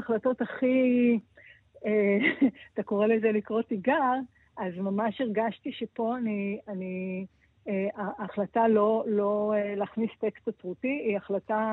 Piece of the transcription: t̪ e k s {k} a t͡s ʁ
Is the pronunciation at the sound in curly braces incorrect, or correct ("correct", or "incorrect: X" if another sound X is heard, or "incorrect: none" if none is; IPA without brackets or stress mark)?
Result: incorrect: t